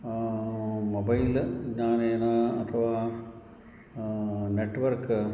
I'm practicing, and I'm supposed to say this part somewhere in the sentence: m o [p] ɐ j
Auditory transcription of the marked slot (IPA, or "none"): b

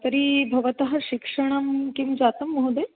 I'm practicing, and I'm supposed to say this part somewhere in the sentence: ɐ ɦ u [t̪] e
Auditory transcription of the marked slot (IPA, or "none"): d̪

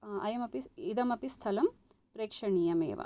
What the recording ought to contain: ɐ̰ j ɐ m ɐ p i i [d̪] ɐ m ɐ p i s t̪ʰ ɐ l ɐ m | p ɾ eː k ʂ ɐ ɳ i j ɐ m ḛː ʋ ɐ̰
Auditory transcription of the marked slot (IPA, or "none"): d̪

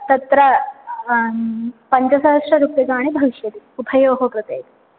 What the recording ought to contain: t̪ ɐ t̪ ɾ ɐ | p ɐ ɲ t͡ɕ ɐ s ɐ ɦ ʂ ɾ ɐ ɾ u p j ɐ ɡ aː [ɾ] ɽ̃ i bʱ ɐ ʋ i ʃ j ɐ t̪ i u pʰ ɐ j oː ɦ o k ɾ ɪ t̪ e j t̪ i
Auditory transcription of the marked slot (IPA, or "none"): none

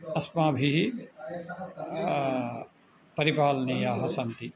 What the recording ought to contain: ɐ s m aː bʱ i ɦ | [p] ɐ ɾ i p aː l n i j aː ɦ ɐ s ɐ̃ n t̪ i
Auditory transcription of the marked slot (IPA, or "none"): p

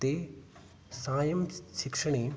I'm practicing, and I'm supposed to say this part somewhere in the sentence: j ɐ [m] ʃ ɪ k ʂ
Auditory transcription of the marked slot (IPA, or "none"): m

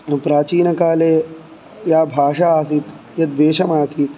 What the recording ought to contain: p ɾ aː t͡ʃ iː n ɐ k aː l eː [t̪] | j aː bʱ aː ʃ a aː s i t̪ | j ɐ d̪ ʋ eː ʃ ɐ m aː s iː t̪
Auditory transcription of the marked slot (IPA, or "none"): none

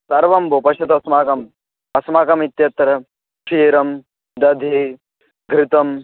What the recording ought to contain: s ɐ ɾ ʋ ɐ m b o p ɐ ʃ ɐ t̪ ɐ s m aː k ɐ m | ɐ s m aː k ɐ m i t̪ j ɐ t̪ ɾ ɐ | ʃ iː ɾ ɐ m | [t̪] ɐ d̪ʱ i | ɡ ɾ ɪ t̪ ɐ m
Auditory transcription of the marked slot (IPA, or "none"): d̪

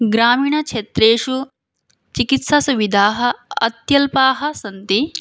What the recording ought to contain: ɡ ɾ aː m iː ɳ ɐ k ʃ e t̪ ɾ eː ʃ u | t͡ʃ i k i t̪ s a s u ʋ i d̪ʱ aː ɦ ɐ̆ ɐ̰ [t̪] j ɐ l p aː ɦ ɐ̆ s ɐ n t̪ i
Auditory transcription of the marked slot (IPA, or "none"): t̪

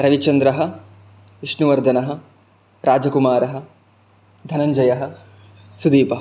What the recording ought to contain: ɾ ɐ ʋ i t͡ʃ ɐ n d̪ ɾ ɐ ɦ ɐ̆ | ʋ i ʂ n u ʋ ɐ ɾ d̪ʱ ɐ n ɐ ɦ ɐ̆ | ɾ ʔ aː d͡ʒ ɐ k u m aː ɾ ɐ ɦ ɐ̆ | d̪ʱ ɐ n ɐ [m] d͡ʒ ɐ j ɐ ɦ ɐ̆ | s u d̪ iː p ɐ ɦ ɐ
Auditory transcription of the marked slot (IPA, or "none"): ɲ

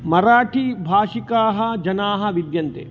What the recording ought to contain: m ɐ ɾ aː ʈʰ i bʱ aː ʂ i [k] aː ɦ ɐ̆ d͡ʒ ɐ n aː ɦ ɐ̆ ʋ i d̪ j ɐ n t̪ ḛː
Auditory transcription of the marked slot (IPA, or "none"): k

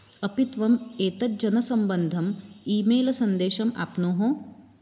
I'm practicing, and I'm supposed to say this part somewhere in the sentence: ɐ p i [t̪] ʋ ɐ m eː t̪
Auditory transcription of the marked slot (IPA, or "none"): t̪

